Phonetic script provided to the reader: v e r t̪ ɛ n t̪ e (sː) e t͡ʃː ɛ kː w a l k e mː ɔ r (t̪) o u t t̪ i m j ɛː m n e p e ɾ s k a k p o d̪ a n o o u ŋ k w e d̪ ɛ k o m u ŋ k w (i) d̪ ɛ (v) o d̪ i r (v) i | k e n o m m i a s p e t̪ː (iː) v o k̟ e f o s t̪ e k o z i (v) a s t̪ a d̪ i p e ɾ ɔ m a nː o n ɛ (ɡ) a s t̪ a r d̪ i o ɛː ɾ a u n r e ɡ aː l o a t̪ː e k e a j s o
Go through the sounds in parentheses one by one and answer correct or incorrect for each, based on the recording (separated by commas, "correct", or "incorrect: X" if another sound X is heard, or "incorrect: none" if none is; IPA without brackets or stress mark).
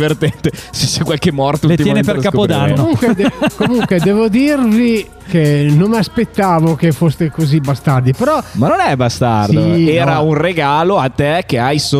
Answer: incorrect: s, correct, incorrect: e, correct, correct, incorrect: aː, incorrect: b, incorrect: b